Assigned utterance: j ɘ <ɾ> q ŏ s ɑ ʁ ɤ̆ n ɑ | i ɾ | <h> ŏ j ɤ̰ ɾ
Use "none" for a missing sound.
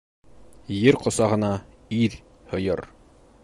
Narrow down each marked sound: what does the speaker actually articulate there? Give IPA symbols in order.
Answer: ɾ, h

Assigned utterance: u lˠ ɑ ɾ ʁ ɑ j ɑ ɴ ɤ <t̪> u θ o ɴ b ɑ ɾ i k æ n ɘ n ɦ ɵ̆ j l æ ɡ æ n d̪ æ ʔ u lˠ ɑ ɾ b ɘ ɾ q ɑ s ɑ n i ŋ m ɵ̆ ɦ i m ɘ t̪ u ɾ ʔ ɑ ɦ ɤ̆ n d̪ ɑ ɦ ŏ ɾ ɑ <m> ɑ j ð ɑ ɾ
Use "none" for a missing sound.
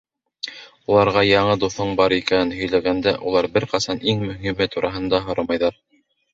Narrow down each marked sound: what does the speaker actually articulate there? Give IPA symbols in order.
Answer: d̪, m

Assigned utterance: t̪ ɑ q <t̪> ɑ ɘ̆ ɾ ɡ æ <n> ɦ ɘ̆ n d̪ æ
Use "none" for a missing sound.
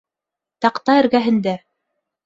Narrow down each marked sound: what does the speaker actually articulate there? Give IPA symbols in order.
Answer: t̪, none

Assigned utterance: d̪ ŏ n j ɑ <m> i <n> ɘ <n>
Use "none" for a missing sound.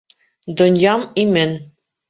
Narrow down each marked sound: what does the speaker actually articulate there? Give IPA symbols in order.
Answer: m, m, n

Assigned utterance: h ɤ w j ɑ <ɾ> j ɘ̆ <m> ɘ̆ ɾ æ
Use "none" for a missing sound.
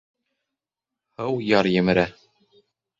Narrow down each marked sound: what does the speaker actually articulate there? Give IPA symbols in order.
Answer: ɾ, m

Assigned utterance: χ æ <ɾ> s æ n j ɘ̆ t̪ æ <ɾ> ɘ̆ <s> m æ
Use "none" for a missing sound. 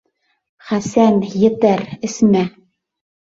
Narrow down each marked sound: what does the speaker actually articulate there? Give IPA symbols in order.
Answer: none, ɾ, s

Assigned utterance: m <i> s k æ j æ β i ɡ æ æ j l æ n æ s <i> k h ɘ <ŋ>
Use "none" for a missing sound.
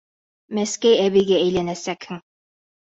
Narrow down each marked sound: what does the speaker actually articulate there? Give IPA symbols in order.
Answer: æ, æ, ŋ

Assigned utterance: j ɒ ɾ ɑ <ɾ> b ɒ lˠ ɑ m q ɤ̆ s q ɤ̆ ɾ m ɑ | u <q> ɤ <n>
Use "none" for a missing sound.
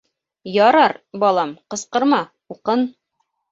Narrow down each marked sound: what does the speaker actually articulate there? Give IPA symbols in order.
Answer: ɾ, q, n

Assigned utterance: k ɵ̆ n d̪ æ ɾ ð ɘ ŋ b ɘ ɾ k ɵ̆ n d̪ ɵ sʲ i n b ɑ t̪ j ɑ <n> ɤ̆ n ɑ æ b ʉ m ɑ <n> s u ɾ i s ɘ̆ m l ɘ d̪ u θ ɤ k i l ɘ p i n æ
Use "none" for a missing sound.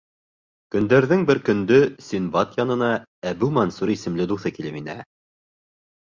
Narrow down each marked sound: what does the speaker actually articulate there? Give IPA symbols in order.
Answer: n, n

